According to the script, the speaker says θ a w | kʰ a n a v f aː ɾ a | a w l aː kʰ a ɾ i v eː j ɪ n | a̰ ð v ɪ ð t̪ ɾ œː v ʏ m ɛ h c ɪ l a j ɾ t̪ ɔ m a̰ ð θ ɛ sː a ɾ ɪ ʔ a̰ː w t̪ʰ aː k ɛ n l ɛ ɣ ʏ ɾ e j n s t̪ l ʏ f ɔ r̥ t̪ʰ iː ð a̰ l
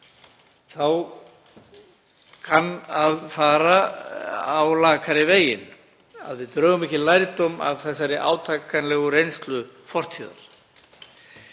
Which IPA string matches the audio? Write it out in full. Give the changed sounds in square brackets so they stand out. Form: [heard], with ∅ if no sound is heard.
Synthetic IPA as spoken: θ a w | kʰ a n a [ð] f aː ɾ a | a w l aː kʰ a ɾ [ɪ] v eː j ɪ n | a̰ ð v ɪ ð t̪ ɾ œː [ɣ] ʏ m ɛ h c ɪ l a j ɾ t̪ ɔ m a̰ ð θ ɛ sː a ɾ ɪ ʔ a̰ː w t̪ʰ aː k [a] n l ɛ ɣ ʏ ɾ e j n s t̪ l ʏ f ɔ r̥ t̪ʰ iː ð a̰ l